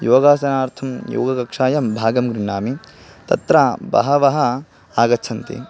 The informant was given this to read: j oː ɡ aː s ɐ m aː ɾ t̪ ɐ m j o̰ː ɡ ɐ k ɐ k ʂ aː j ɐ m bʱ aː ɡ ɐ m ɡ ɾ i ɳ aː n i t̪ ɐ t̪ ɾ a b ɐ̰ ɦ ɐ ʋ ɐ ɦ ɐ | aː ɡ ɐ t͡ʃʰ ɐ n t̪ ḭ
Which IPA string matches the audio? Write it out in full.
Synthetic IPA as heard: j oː ɡ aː s ɐ n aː ɾ t̪ʰ ɐ m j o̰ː ɡ ɐ k ɐ k ʂ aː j ɐ m bʱ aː ɡ ɐ m ɡ ɾ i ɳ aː m i t̪ ɐ t̪ ɾ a b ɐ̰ ɦ ɐ ʋ ɐ ɦ ɐ | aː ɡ ɐ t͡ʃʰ ɐ n t̪ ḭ